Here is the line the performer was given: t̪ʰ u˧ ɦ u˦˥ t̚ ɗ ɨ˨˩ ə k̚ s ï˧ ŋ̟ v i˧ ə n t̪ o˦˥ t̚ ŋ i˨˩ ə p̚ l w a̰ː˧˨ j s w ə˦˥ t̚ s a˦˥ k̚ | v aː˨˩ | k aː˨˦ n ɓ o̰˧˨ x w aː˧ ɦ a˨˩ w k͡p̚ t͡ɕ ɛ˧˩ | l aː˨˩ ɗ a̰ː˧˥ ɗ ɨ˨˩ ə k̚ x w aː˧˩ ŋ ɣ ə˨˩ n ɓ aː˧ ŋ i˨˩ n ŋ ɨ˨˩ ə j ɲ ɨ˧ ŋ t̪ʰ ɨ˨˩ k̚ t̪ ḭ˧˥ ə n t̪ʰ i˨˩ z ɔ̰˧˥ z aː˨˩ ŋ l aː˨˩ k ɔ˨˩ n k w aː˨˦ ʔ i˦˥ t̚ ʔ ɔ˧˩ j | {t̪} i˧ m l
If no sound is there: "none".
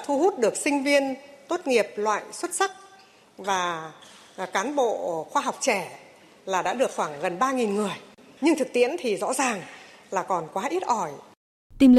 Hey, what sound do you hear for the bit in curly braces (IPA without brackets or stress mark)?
t̪